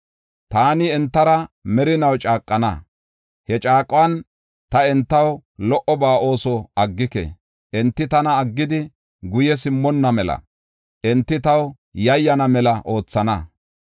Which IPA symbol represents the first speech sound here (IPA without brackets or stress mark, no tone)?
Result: t̪